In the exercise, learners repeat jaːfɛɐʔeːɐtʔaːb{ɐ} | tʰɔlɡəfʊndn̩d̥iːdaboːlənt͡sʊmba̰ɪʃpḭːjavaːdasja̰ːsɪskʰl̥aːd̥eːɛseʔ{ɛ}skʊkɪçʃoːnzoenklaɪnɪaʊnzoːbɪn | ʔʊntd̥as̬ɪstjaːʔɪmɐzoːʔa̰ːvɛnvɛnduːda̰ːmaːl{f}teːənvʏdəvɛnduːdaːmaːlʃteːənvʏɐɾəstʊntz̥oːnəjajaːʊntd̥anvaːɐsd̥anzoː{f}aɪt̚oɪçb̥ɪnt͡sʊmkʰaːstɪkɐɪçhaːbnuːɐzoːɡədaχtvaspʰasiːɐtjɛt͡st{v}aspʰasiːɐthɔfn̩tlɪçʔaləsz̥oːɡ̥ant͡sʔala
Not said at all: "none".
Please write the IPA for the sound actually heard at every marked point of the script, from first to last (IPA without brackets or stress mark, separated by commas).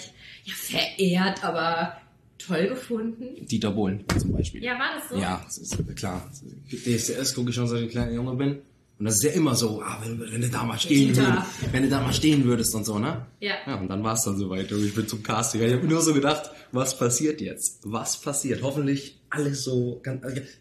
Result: ɐ, ɛ, ʃ, v, v